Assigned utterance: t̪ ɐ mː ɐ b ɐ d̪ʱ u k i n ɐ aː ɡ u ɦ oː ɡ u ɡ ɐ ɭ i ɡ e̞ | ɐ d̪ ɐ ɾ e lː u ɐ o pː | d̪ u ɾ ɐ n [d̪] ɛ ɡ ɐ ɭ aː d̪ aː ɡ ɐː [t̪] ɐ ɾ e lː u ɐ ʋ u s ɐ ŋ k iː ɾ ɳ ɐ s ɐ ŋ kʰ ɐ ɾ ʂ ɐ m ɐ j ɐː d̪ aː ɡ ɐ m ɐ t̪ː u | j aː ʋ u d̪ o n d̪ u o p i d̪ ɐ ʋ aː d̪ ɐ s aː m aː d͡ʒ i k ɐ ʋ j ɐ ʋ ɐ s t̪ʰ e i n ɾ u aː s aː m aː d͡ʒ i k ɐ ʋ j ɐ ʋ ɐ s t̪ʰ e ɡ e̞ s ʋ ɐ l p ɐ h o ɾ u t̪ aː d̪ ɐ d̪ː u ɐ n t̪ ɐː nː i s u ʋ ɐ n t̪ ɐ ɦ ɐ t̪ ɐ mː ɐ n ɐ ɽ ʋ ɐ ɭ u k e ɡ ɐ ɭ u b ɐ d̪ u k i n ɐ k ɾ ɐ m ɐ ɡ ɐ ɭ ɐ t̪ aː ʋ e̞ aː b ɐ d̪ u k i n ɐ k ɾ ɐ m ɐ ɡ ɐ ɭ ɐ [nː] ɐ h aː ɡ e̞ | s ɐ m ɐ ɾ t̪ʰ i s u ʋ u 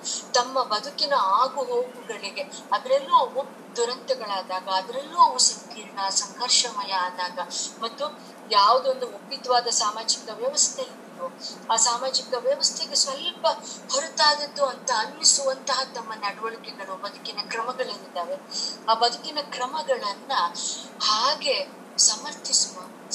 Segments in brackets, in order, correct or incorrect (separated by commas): incorrect, incorrect, correct